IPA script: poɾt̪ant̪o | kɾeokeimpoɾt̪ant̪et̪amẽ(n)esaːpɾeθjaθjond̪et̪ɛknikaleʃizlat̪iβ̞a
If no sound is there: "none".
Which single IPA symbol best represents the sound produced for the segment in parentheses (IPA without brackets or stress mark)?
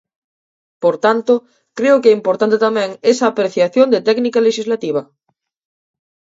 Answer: ŋ